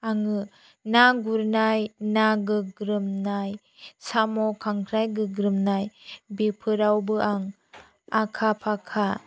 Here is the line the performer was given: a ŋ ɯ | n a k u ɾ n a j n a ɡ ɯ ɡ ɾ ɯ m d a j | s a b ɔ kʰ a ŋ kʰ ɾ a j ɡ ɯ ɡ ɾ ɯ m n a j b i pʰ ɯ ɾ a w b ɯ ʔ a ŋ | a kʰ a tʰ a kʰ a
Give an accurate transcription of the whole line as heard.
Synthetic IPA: a ŋ ɯ | n a ɡ u ɾ n a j n a ɡ ɯ ɡ ɾ ɯ m n a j | s a m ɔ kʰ a ŋ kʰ ɾ a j ɡ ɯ ɡ ɾ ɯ m n a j b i pʰ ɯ ɾ a w b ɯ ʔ a ŋ | a kʰ a pʰ a kʰ a